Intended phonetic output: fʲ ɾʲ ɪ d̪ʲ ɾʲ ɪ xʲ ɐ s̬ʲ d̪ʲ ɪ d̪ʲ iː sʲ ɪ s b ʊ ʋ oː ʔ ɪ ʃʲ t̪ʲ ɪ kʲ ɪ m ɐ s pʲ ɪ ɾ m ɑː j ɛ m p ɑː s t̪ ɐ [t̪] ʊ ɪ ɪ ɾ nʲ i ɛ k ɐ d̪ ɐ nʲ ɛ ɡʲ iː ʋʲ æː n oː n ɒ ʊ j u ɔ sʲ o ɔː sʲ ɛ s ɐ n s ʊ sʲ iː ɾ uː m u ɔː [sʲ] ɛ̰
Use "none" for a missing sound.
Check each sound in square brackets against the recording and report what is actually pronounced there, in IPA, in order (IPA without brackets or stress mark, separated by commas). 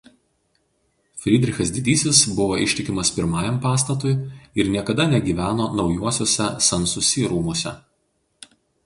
t̪, sʲ